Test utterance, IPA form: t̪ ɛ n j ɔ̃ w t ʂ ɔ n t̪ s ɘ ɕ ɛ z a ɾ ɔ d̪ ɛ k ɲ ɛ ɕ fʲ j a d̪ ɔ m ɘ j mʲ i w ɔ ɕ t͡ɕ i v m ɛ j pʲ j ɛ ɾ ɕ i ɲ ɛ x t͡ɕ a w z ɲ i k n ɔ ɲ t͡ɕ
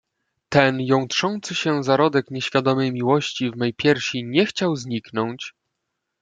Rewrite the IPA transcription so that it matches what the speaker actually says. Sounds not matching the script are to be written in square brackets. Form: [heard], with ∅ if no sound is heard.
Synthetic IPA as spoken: t̪ ɛ n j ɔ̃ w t ʂ ɔ n t̪ s ɘ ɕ ɛ z a ɾ ɔ d̪ ɛ k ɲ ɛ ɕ fʲ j a d̪ ɔ m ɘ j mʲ i w ɔ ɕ t͡ɕ i v m ɛ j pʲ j ɛ ɾ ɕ i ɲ ɛ x t͡ɕ a w z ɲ i k n ɔ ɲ t͡ɕ